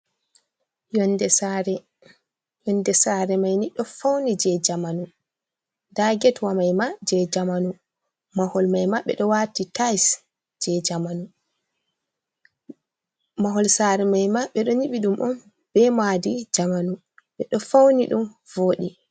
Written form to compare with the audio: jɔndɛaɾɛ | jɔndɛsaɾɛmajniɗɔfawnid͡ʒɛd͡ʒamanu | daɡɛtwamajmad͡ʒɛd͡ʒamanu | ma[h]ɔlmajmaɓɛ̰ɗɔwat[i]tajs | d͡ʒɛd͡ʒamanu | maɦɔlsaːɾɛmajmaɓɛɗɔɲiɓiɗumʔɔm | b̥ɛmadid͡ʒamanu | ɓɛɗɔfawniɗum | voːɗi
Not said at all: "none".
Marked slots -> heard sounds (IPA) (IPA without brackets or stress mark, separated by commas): h, i